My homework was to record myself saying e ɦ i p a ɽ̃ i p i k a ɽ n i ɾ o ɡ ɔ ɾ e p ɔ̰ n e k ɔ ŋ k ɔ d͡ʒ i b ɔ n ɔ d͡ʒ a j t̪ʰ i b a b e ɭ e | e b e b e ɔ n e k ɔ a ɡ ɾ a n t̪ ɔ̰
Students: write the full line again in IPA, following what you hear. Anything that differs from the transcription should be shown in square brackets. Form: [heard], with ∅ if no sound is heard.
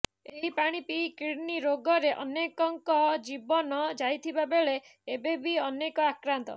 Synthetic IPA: e ɦ i p a ɽ̃ i p i k [i] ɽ n i ɾ o ɡ ɔ ɾ e [ʔ] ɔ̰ n e k ɔ ŋ k ɔ d͡ʒ i b ɔ n ɔ d͡ʒ a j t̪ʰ i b a b e ɭ e | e b e b [i] ɔ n e k ɔ a [k] ɾ a n t̪ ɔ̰